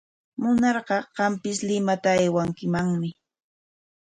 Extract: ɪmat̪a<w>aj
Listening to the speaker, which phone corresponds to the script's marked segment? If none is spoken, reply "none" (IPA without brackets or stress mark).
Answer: none